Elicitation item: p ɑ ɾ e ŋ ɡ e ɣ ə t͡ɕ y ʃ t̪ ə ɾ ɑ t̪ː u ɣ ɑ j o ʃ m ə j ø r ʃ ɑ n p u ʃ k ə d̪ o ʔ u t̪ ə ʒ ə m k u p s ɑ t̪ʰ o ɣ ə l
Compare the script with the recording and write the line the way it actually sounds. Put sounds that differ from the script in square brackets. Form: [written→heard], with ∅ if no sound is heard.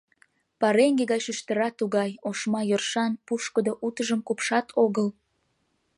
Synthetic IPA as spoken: p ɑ ɾ e ŋ ɡ e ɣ [ə→ɑ] t͡ɕ y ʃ t̪ ə ɾ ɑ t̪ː u ɣ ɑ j o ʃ m [ə→ɑ] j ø r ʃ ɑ n p u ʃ k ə d̪ o ʔ u t̪ ə ʒ ə m k u p [s→ʃ] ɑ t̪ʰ o ɣ ə l